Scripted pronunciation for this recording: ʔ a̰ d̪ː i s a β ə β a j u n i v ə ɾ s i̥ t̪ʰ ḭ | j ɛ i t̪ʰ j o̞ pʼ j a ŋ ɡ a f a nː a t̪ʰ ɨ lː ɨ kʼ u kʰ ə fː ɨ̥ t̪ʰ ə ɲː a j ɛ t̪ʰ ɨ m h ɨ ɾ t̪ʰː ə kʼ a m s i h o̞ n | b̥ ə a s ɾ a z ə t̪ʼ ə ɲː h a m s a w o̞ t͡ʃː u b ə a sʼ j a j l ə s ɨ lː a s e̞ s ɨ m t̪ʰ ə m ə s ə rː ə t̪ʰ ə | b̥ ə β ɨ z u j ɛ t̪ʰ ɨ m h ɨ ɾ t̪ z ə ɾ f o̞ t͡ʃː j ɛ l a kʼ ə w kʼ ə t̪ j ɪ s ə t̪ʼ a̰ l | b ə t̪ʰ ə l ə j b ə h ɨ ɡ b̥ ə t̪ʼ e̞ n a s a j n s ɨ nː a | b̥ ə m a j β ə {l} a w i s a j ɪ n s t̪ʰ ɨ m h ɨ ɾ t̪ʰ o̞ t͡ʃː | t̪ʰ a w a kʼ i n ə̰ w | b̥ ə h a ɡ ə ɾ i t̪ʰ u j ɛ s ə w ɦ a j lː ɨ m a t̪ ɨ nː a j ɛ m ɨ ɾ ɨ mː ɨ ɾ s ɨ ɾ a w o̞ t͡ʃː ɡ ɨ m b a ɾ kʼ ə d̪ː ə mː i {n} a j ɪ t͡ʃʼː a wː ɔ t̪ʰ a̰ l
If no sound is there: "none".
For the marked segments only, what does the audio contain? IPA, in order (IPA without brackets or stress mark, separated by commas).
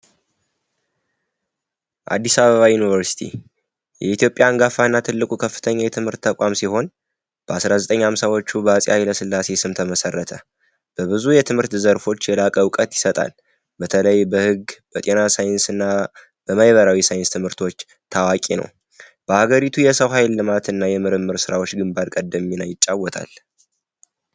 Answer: ɾ, n